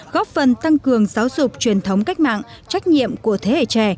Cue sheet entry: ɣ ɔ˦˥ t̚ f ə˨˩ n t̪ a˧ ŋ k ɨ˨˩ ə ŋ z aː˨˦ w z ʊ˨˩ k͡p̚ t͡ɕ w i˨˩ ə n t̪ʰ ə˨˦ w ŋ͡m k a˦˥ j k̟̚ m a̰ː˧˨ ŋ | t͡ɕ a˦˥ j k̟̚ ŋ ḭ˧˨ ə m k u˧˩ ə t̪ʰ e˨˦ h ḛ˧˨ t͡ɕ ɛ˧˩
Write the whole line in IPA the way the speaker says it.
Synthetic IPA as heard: ɣ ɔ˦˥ p̚ f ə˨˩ n t̪ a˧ ŋ k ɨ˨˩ ə ŋ z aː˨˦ w z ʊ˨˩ k͡p̚ t͡ɕ w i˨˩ ə n t̪ʰ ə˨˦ w ŋ͡m k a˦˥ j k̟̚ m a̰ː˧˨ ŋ | t͡ɕ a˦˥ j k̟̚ ɲ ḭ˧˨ ə m k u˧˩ ə t̪ʰ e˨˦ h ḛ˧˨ t͡ɕ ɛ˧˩